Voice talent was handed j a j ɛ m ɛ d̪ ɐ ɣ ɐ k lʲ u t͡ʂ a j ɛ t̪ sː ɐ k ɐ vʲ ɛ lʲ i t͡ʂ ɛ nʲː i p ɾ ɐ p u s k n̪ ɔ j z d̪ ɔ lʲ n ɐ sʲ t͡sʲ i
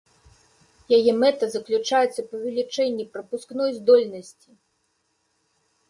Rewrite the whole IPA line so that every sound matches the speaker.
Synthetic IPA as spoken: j a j ɛ m ɛ t̪ ɐ z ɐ k lʲ u t͡ʂ a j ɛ t̪ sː ɐ p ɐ vʲ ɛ lʲ i t͡ʂ ɛ nʲː i p ɾ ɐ p u s k n̪ ɔ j z d̪ ɔ lʲ n ɐ sʲ t͡sʲ i